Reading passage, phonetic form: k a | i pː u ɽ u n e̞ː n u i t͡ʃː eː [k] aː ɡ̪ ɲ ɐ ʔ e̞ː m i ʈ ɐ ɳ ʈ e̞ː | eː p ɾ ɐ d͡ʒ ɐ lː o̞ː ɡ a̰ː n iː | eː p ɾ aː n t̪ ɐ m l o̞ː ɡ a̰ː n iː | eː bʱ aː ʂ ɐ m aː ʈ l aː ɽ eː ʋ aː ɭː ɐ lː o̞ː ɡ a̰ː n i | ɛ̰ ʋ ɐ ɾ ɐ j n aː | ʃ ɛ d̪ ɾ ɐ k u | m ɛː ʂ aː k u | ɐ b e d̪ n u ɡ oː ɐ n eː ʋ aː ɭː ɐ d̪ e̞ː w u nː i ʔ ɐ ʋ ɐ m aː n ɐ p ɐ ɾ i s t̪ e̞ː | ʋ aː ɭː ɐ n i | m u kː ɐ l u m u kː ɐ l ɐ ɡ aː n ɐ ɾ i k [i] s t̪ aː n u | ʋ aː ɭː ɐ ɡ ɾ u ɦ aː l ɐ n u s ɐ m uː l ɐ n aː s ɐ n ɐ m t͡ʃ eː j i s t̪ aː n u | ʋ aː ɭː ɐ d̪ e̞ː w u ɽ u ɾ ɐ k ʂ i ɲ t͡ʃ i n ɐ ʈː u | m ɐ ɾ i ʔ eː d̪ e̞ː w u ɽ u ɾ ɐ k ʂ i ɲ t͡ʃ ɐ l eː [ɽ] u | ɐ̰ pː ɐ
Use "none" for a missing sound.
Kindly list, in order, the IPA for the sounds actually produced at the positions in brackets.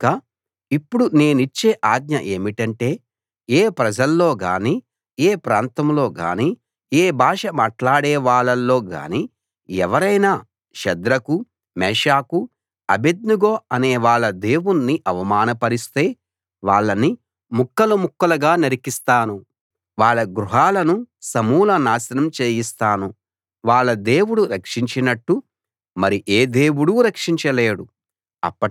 ʔ, i, ɽ

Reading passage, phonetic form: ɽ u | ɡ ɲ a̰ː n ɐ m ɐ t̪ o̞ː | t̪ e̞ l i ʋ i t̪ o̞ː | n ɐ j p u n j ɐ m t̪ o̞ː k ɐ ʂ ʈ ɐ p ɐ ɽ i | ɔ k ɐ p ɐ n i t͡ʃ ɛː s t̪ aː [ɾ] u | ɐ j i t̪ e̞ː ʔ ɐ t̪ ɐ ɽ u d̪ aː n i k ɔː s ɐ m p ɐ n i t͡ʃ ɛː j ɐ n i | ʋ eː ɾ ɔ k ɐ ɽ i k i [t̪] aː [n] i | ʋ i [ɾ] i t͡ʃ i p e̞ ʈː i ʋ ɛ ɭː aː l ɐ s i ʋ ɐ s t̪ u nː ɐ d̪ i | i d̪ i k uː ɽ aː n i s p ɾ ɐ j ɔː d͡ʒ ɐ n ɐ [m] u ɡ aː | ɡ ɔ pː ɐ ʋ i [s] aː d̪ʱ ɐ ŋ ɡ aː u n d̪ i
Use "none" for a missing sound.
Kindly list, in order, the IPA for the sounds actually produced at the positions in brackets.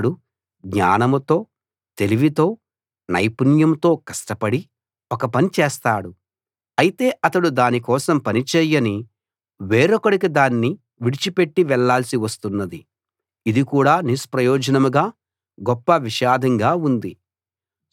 ɽ, d̪, nː, ɽ, m, ʃ

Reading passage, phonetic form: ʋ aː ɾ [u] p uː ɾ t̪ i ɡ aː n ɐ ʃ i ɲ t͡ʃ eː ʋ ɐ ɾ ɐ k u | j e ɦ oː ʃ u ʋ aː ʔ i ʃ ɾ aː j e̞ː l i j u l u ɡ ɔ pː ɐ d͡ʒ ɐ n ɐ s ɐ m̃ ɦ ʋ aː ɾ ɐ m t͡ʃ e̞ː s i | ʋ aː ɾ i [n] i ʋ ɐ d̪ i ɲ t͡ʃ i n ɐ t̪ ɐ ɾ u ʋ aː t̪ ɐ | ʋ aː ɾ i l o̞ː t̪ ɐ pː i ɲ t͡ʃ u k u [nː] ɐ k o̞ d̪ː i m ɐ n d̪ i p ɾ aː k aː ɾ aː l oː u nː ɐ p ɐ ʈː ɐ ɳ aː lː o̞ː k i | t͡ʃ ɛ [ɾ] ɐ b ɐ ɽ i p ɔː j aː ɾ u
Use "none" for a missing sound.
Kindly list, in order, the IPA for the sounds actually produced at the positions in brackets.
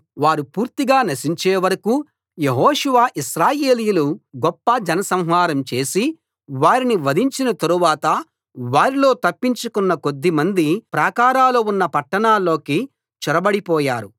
u, n, nː, ɾ

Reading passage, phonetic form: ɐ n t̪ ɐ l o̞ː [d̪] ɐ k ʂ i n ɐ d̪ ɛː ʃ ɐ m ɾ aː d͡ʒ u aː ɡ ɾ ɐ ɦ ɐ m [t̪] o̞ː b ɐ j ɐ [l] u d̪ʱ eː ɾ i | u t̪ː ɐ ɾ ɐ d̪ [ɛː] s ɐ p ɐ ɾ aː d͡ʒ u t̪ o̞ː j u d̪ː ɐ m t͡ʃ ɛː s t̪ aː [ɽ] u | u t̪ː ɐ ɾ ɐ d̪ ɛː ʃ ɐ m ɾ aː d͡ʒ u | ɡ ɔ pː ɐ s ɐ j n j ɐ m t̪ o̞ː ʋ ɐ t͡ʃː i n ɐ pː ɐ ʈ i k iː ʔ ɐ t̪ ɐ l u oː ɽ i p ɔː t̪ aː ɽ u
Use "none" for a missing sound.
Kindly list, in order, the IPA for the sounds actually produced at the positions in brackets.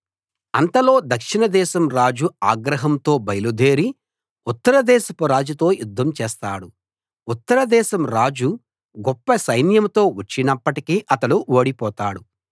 d̪, t̪, l, ɛː, ɽ

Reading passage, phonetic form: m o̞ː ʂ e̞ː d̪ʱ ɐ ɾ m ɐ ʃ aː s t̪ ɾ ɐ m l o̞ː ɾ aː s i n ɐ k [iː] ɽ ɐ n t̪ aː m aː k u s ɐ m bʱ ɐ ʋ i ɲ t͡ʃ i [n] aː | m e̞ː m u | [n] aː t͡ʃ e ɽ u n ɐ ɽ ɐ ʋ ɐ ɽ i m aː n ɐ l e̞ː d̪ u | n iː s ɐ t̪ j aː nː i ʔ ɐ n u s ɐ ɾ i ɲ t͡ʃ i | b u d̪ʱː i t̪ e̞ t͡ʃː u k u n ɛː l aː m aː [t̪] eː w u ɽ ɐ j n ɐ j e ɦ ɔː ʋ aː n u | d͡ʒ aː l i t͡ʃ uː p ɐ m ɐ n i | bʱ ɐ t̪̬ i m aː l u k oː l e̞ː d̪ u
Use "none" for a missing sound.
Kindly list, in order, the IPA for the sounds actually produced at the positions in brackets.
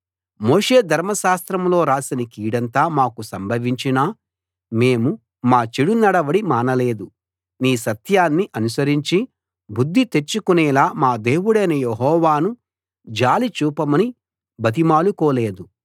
iː, n, m, d̪

